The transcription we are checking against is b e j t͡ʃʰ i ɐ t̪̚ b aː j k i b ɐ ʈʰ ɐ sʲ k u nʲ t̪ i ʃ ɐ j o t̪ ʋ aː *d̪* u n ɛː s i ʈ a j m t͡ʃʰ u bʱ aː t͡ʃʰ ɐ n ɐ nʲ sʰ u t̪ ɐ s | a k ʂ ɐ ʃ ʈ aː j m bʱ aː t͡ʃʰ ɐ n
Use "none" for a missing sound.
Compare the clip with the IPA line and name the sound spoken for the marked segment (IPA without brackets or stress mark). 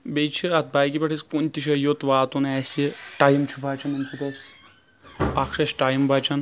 t̪